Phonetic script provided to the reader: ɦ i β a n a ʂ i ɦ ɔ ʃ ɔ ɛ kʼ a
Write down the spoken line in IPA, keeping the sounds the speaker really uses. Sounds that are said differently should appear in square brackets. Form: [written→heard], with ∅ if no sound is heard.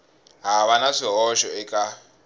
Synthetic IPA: ɦ [i→a] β a n a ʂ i ɦ ɔ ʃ ɔ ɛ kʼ a